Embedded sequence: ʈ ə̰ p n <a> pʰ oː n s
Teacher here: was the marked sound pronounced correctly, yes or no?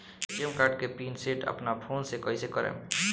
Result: yes